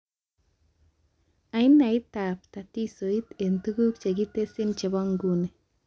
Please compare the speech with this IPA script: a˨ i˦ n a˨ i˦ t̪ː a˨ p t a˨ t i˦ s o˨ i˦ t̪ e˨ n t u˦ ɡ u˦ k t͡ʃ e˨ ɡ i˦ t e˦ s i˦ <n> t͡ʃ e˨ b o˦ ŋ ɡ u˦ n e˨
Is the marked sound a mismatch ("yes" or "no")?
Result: no